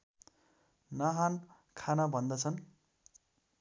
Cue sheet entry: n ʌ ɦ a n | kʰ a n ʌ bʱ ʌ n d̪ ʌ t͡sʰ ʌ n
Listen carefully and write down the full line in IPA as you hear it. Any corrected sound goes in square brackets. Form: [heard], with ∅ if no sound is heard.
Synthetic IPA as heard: n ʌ ɦ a n | kʰ a n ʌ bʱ ʌ n d̪ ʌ t͡sʰ ʌ n